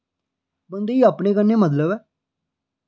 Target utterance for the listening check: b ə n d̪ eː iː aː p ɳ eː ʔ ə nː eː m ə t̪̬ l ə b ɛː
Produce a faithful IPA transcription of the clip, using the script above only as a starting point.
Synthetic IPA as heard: b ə n d̪ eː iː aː p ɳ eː k ə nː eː m ə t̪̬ l ə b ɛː